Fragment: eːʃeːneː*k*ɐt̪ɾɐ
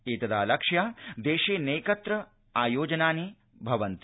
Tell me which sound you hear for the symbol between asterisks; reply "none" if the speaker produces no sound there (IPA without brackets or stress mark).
k